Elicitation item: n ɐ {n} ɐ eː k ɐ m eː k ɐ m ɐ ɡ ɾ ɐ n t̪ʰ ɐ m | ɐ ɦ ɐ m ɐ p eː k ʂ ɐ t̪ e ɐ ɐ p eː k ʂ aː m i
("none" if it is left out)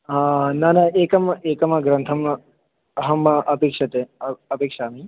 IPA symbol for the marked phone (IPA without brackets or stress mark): n